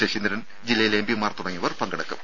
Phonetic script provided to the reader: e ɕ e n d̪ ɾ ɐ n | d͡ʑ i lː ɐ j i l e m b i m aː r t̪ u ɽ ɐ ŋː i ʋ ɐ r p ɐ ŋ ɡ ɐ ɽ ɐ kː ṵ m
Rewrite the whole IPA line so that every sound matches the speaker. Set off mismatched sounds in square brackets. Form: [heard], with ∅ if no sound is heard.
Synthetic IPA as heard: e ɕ [i] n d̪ ɾ ɐ n | d͡ʑ i lː ɐ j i l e m b i m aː r t̪ u ɽ ɐ ŋː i ʋ ɐ r p ɐ ŋ ɡ ɐ ɽ ɐ kː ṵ m